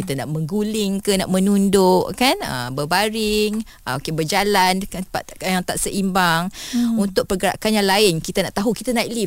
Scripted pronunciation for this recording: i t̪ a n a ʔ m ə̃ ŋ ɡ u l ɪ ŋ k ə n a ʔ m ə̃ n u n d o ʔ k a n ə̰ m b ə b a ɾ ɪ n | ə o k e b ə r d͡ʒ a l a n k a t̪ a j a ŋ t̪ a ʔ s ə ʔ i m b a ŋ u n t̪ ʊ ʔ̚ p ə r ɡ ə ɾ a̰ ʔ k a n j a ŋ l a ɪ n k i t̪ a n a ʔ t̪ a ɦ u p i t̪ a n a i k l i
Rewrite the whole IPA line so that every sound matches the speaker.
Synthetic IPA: i t̪ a n a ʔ m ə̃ ŋ ɡ u l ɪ ŋ k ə n a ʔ m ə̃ n u n d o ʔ k a n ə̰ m b ə b a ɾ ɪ ŋ | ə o k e b ə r d͡ʒ a l a n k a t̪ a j a ŋ t̪ a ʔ s ə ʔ i m b a ŋ u n t̪ ʊ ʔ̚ p ə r ɡ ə ɾ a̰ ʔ k a n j a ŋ l a ɪ n k i t̪ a n a ʔ t̪ a ɦ u k i t̪ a n a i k l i